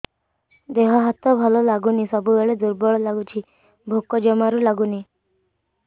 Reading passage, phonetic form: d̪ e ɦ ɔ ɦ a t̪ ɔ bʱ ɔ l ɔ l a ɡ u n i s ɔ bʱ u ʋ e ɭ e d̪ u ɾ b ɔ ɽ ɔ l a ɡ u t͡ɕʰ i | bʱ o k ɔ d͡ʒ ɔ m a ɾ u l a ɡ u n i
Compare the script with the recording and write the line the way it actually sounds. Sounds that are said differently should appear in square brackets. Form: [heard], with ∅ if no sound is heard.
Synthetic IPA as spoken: d̪ e ɦ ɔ ɦ a t̪ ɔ bʱ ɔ l ɔ l a ɡ u n i s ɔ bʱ u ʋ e ɭ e d̪ u ɾ b ɔ [ɭ] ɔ l a ɡ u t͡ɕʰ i | bʱ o k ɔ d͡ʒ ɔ m a ɾ u l a ɡ u n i